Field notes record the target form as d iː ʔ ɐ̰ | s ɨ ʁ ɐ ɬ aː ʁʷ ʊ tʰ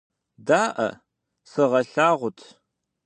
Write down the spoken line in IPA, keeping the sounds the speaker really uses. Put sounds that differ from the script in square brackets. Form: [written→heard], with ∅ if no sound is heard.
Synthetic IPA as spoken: d [iː→aː] ʔ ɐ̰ | s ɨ ʁ ɐ ɬ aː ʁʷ ʊ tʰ